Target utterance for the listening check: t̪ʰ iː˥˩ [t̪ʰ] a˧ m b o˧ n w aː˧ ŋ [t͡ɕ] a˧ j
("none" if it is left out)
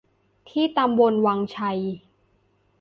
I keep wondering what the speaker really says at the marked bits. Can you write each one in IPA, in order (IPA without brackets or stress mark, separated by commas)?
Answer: t̪, t͡ɕʰ